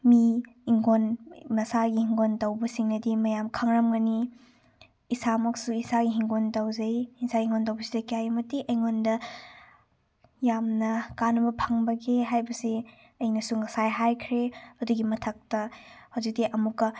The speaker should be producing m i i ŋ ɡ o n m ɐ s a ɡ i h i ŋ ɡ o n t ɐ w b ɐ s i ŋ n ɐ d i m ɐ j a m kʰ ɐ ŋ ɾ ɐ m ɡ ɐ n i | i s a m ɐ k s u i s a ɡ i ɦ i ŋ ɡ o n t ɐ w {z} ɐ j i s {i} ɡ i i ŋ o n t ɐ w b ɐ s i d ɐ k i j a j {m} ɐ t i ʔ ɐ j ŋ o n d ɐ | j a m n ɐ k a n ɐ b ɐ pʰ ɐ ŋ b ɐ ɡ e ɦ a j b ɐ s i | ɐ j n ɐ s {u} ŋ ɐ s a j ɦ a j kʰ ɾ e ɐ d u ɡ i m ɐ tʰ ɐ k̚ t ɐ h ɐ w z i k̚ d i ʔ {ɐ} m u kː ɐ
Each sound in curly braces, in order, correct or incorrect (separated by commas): correct, incorrect, correct, correct, correct